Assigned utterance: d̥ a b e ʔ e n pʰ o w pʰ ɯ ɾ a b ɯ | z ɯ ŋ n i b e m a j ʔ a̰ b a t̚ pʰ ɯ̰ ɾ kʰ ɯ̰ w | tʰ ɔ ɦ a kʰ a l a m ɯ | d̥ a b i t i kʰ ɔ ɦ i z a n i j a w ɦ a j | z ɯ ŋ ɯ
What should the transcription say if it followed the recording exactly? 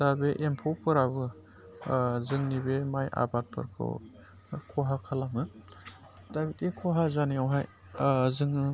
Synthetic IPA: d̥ a b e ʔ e m pʰ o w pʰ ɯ ɾ a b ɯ | z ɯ ŋ n i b e m a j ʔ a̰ b a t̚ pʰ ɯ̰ ɾ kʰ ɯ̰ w | kʰ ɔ ɦ a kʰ a l a m ɯ | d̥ a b i t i kʰ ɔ ɦ a z a n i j a w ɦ a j | z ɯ ŋ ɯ